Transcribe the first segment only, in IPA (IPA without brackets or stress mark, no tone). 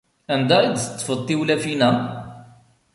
æ